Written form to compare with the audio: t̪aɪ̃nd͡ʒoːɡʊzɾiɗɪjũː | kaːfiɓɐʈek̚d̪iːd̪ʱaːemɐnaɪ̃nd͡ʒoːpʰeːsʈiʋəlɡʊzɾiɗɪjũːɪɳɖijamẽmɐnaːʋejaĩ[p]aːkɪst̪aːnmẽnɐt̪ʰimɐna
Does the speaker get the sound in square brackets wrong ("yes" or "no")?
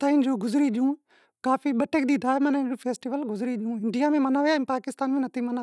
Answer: no